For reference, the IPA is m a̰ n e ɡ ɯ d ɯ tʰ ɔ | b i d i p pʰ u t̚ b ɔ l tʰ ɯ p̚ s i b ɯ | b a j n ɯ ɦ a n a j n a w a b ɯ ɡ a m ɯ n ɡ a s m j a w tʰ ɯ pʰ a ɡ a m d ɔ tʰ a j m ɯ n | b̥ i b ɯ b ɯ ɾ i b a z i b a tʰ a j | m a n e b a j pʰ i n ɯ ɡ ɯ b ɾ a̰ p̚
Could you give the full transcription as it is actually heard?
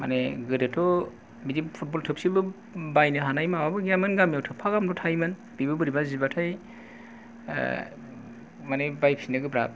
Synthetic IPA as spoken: m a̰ n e ɡ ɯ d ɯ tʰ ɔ | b i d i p pʰ u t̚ b ɔ l tʰ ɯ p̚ s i b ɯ | b a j n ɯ ɦ a n a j m a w a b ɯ ɡ a m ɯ n ɡ a m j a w tʰ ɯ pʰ a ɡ a m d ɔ tʰ a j m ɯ n | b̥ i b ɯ b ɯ ɾ i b a z i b a tʰ a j | m a n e b a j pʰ i n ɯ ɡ ɯ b ɾ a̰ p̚

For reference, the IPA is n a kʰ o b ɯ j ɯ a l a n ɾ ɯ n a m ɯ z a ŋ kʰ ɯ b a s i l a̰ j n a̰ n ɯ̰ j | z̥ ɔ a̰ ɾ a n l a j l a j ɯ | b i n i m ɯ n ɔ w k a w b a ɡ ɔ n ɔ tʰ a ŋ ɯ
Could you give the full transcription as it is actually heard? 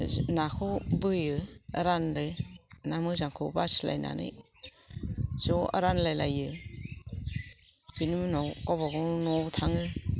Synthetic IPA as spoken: n a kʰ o b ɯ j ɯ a ɾ a n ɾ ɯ n a m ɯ z a ŋ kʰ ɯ b a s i l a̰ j n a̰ n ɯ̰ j | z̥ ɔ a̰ ɾ a n l a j l a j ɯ | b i n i m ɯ n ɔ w k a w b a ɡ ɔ n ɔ tʰ a ŋ ɯ

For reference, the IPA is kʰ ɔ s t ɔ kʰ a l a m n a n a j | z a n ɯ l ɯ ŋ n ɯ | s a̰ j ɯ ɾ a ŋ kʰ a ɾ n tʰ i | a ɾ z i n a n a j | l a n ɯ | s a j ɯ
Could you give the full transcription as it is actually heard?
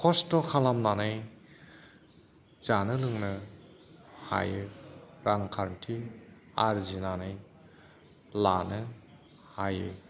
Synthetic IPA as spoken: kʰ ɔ s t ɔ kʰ a l a m n a n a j | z a n ɯ l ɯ ŋ n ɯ | h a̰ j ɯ ɾ a ŋ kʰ a ɾ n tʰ i | a ɾ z i n a n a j | l a n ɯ | h a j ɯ

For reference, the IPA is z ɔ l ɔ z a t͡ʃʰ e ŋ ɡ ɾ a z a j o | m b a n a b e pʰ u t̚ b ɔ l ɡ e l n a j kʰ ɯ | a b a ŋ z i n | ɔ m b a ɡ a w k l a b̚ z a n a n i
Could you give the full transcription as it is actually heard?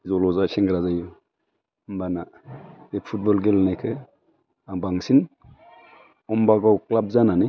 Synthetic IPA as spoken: z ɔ l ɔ z a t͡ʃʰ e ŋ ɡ ɾ a z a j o | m b a n a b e pʰ u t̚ b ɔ l ɡ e l n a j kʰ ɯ | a b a ŋ s i n | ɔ m b a ɡ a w k l a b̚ z a n a n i

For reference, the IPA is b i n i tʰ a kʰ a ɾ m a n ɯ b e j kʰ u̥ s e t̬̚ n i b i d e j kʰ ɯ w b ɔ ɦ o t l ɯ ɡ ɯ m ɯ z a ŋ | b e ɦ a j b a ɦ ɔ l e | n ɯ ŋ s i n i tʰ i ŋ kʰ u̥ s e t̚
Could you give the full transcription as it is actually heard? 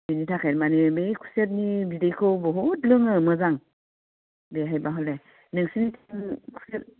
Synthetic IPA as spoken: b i n i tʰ a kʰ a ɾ m a n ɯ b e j kʰ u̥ s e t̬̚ n i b i d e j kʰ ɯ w b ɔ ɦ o t l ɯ ŋ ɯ m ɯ z a ŋ | b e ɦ a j b a ɦ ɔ l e | n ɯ ŋ s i n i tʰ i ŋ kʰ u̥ s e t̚

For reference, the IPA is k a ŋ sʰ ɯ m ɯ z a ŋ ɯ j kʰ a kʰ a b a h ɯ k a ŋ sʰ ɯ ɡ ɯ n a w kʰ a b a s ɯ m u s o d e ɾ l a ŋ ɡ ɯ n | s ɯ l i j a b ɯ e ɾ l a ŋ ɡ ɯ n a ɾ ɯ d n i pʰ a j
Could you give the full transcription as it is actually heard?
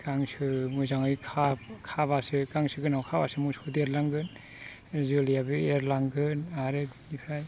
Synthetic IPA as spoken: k a ŋ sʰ ɯ m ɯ z a ŋ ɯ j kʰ a kʰ a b a s ɯ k a ŋ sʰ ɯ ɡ ɯ n a w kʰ a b a s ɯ m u s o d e ɾ l a ŋ ɡ ɯ n | z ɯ l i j a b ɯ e ɾ l a ŋ ɡ ɯ n a ɾ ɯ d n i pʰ a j

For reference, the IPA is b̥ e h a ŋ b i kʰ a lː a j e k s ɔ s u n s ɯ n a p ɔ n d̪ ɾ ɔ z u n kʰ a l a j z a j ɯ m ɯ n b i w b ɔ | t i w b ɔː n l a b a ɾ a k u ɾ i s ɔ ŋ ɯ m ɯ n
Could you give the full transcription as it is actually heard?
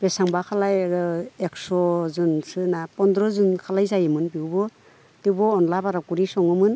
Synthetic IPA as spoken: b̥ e s a ŋ b a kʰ a l a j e k s ɔ z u n s ɯ n a p ɔ n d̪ ɾ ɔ z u n kʰ a l a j z a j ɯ m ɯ n b i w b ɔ | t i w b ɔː n l a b a ɾ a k u ɾ i s ɔ ŋ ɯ m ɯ n

